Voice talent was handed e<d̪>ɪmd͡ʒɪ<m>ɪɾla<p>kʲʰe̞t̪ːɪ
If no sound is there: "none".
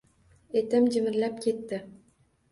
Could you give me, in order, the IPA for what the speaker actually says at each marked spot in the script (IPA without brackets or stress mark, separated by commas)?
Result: t̪, m, p